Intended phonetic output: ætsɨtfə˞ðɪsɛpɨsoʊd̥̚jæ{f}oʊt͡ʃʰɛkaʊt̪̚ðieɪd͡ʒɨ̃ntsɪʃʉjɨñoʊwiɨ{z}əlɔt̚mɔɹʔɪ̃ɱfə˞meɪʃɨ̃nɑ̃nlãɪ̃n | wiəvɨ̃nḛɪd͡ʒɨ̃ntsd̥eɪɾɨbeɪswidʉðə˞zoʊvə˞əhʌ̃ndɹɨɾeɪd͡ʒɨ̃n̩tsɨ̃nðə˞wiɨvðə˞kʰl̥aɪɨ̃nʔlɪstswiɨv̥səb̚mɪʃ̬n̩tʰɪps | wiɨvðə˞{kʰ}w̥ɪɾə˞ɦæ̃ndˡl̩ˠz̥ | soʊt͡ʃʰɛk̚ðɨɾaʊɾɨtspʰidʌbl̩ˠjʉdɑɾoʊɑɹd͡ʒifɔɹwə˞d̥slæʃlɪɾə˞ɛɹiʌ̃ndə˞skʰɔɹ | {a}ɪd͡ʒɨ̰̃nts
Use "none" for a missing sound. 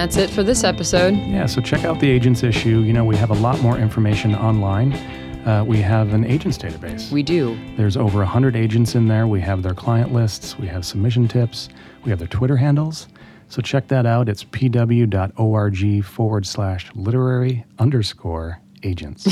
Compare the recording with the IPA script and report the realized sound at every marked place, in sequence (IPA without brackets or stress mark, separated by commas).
s, v, tʰ, e